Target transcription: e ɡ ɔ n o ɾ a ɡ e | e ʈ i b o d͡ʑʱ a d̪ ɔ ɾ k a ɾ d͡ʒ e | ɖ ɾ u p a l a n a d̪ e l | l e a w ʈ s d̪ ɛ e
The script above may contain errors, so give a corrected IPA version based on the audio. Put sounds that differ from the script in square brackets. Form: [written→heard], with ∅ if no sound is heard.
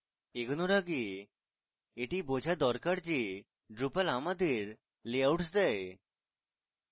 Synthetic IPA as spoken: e ɡ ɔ n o ɾ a ɡ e | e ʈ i b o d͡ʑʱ a d̪ ɔ ɾ k a ɾ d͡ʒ e | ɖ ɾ u p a l a [n→m] a d̪ e [l→ɾ] | l e a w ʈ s d̪ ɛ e